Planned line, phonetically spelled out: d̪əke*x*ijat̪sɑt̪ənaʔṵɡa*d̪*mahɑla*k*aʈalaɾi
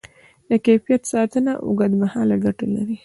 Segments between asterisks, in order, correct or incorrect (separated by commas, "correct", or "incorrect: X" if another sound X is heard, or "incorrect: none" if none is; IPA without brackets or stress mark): incorrect: f, correct, incorrect: ɡ